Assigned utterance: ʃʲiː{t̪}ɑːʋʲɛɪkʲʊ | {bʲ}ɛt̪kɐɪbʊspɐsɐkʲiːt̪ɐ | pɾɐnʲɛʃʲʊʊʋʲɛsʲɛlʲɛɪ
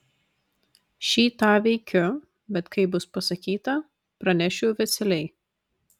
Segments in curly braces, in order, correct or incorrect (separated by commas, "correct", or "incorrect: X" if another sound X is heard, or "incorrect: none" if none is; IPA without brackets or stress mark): correct, correct